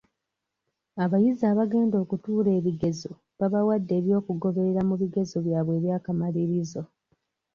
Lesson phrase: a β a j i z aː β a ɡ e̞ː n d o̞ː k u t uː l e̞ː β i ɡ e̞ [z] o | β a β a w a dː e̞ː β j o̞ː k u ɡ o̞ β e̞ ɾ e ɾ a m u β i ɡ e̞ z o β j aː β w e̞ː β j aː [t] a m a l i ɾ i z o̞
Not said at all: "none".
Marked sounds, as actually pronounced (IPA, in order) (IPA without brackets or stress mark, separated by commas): z, k